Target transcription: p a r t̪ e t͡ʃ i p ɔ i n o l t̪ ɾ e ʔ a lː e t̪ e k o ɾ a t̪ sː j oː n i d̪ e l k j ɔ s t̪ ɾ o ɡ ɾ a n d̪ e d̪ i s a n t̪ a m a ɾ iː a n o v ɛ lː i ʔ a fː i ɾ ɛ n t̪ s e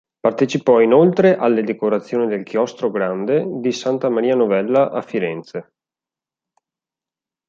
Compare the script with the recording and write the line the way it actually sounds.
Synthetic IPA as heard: p a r t̪ e t͡ʃ i p ɔ i n o l t̪ ɾ e ʔ a lː e d̪ e k o ɾ a t̪ sː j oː n i d̪ e l k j ɔ s t̪ ɾ o ɡ ɾ a n d̪ e d̪ i s a n t̪ a m a ɾ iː a n o v ɛ lː a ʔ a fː i ɾ ɛ n t̪ s e